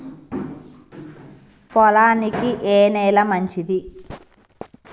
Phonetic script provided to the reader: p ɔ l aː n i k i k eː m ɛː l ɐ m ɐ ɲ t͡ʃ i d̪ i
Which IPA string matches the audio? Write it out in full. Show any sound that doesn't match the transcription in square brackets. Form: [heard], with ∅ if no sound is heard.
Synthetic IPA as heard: p ɔ l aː n i k i [ʔ] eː [n] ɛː l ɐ m ɐ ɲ t͡ʃ i d̪ i